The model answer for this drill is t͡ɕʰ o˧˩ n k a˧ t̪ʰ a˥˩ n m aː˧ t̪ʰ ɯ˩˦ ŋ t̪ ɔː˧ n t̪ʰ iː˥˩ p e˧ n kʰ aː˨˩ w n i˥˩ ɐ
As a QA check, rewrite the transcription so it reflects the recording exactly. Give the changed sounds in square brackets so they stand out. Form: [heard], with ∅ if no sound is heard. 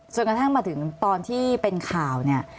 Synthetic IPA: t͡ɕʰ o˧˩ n k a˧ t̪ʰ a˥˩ [ŋ] m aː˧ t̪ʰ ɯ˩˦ ŋ t̪ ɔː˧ n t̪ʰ iː˥˩ p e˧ n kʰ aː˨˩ w n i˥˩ ɐ